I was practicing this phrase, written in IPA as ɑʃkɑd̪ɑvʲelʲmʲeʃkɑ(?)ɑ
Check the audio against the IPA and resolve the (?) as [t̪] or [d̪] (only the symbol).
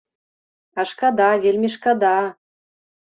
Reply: d̪